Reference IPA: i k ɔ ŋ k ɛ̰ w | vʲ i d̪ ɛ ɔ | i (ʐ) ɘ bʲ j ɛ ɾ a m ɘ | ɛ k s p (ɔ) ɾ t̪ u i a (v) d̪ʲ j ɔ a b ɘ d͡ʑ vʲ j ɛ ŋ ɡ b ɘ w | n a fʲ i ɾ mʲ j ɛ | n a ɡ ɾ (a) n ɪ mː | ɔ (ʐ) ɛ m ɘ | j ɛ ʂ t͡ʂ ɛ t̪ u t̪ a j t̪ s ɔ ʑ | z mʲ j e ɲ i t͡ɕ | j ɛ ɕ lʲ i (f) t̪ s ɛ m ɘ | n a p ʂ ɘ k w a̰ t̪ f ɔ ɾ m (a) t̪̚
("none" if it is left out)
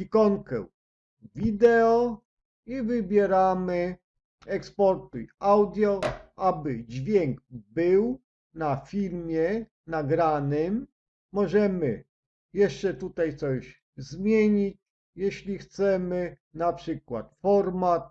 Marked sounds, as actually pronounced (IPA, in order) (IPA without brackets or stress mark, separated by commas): v, ɔ, w, a, ʐ, x, a